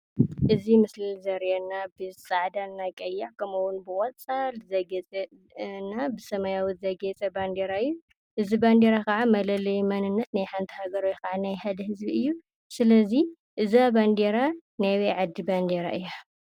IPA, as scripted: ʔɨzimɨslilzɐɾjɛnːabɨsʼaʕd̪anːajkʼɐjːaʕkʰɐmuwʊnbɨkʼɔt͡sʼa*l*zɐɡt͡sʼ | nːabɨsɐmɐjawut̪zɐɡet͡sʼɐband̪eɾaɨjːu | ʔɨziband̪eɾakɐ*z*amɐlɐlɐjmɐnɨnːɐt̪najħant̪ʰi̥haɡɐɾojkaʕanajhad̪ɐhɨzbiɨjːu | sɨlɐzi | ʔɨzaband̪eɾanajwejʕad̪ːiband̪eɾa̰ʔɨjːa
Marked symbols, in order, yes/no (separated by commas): yes, no